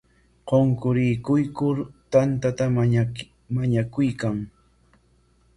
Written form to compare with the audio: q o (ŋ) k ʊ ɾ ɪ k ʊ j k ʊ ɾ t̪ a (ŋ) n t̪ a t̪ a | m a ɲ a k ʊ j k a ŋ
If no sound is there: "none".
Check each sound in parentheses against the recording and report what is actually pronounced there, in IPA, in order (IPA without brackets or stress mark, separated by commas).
ŋ, none